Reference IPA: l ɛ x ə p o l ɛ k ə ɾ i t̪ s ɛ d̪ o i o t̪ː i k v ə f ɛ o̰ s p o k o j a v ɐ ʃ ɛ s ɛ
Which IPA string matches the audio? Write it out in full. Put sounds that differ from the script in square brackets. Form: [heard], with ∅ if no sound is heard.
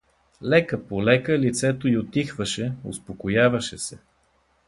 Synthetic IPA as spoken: l ɛ [k] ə p o l ɛ k ə [l] i t̪ s ɛ [t̪] o i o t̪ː i [x] v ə [ʃ] ɛ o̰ s p o k o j a v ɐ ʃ ɛ s ɛ

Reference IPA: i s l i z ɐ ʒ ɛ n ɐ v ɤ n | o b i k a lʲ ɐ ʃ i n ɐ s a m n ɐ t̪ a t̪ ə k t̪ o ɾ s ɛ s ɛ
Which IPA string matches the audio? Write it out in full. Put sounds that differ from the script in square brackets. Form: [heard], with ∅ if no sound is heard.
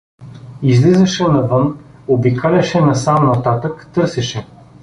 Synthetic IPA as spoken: i [z] l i z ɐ [ʃ] ɛ n ɐ v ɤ n | o b i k a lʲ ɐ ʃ [ɛ] n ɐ s a m n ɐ t̪ a t̪ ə k t̪ [ɤ] ɾ s ɛ [ʃ] ɛ

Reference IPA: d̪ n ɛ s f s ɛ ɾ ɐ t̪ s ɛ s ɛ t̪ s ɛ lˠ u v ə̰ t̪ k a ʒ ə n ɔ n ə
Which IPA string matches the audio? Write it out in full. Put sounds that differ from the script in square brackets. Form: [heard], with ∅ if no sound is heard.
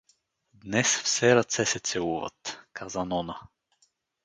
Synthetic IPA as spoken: d̪ n ɛ s f s ɛ ɾ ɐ t̪ s ɛ s ɛ t̪ s ɛ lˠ u v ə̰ t̪ k a [z] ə n ɔ n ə

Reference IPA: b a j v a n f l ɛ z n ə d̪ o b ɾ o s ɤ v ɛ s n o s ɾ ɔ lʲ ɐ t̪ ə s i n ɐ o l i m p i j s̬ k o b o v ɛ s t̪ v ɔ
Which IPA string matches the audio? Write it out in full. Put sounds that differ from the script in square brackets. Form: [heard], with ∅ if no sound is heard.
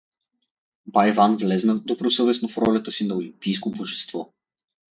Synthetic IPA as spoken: b a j v a n [v] l ɛ z n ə d̪ o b ɾ o s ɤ v ɛ s n o [f] ɾ ɔ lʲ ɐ t̪ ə s i n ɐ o l i m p i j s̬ k o b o [ʒ] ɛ s t̪ v ɔ

